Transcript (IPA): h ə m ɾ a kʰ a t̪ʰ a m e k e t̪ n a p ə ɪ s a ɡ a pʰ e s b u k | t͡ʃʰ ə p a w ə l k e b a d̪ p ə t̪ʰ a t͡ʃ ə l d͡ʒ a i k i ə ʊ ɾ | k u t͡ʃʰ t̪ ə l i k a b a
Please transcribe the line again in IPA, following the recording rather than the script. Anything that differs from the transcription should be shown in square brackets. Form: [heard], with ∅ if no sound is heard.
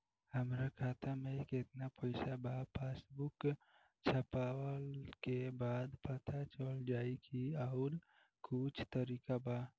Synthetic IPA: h ə m ɾ a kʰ a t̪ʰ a m e k e t̪ n a p ə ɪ s a [b] a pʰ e s b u k | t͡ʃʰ ə p a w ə l k e b a d̪ p ə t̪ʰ a t͡ʃ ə l d͡ʒ a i k i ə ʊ ɾ | k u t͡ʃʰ t̪ ə [ɾ] i k a b a